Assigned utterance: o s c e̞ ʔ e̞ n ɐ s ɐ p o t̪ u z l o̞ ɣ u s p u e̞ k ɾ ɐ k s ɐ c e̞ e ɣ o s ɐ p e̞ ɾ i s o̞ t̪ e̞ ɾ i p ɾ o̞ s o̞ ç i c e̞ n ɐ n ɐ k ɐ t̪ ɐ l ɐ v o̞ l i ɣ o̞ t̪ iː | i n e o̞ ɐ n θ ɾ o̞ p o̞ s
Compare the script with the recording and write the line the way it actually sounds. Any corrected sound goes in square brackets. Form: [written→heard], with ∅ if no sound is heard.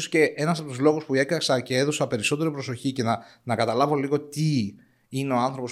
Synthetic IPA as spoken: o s c e̞ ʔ e̞ n ɐ s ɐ p o t̪ u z l o̞ ɣ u s p u e̞ k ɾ ɐ k s ɐ c e̞ e [ɣ→ð] o s ɐ p e̞ ɾ i s o̞ t̪ e̞ ɾ i p ɾ o̞ s o̞ ç i c e̞ n ɐ n ɐ k ɐ t̪ ɐ l ɐ v o̞ l i ɣ o̞ t̪ [iː→i] | i n e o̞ ɐ n θ ɾ o̞ p o̞ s